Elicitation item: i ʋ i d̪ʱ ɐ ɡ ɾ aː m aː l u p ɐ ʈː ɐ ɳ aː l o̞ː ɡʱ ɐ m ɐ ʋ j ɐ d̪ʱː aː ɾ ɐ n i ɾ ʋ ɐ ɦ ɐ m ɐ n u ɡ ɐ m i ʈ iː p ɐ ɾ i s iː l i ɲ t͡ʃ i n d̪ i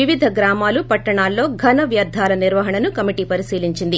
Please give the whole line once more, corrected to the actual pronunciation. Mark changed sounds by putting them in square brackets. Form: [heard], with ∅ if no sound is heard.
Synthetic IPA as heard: i ʋ i d̪ʱ ɐ ɡ ɾ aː m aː l u p ɐ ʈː ɐ ɳ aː [lː] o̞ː ɡʱ ɐ [n] ɐ ʋ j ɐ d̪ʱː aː [l] ɐ n i ɾ ʋ ɐ ɦ ɐ [ɳ] ɐ n u [k] ɐ m i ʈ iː p ɐ ɾ i s iː l i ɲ t͡ʃ i n d̪ i